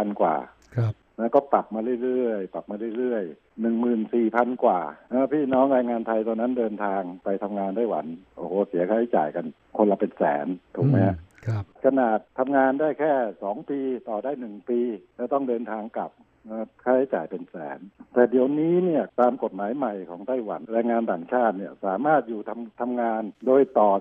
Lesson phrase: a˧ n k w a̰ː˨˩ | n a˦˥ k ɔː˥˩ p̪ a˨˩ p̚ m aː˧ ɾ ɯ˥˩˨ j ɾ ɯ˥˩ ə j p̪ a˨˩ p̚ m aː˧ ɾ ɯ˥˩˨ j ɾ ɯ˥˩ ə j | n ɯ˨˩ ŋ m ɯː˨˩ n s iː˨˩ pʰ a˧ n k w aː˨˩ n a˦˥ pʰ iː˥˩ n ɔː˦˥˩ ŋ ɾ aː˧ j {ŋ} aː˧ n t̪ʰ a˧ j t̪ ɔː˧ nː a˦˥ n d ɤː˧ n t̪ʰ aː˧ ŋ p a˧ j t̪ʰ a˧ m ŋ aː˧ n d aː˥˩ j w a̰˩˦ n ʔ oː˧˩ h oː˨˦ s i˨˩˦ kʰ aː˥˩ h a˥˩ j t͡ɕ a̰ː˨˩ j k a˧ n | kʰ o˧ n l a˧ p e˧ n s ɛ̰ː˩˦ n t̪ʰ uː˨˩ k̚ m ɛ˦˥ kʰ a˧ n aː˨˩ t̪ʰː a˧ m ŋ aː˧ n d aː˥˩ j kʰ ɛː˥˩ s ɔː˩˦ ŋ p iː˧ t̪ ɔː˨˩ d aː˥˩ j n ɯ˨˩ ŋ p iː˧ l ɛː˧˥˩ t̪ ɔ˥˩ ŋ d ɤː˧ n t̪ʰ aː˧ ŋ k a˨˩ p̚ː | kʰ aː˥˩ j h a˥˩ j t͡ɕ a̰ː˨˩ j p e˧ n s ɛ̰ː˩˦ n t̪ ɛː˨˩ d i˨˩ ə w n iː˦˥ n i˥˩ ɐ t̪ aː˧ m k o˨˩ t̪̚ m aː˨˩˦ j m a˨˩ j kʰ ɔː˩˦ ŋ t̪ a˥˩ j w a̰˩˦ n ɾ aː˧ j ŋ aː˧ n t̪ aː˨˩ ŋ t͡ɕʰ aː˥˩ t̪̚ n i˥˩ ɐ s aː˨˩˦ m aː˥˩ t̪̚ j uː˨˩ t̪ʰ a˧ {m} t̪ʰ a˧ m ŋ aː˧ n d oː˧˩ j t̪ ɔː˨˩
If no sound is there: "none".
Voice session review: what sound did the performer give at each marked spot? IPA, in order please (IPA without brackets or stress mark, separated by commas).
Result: ŋ, m